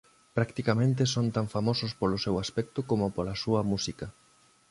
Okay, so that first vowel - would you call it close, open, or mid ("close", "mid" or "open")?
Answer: open